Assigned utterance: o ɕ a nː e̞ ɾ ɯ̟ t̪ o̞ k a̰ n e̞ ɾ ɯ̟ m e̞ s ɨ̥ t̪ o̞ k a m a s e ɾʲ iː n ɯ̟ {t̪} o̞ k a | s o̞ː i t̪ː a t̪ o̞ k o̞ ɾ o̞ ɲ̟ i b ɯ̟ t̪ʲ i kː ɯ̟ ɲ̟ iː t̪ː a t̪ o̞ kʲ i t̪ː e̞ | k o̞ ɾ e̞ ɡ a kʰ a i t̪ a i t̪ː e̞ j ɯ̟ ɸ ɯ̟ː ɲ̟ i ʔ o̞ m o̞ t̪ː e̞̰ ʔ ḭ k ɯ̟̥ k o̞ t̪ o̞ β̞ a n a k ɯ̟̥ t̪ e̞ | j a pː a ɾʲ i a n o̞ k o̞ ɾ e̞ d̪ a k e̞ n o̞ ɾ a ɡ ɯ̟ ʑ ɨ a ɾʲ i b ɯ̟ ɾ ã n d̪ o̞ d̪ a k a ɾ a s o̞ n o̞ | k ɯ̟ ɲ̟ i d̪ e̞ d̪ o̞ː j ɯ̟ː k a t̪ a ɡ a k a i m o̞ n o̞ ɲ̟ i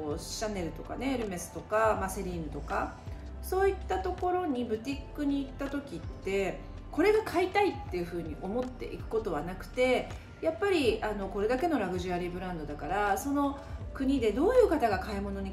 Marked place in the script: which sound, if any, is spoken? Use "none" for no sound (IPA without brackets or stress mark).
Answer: t̪